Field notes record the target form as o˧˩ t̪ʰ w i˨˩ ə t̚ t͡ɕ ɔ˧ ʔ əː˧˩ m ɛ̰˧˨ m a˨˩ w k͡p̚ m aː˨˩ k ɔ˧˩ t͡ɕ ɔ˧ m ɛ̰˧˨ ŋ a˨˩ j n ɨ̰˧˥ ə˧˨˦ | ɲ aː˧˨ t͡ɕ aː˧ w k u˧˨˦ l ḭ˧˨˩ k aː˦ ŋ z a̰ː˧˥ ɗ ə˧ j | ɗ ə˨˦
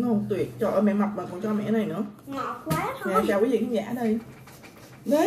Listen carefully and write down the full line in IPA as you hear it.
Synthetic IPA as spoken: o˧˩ t̪ w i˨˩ ə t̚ t͡ɕ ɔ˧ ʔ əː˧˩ m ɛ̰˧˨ m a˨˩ w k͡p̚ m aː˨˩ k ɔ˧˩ t͡ɕ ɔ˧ m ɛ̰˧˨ n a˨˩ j n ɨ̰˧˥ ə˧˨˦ | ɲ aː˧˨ t͡ɕ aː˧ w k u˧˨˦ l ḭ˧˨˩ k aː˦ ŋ z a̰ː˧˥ ɗ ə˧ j | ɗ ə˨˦